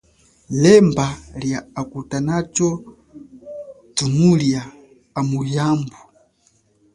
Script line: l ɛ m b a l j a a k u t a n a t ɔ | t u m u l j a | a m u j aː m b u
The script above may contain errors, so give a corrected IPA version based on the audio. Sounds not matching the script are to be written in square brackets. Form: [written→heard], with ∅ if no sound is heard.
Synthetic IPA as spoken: l ɛ m b a l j a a k u t a n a [t→t͡ʃ] ɔ | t u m u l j a | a m u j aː m b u